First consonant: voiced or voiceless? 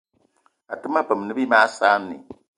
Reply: voiceless